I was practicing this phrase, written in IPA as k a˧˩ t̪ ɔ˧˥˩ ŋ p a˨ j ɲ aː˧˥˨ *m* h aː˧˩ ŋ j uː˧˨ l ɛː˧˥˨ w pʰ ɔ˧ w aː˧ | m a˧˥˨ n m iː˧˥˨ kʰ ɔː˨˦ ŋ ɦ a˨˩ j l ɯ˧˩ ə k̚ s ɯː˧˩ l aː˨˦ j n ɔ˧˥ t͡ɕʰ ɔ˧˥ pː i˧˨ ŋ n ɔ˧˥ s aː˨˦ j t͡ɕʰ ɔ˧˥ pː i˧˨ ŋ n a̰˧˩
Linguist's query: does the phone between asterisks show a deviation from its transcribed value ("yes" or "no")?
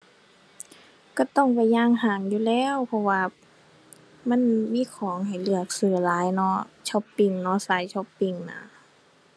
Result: yes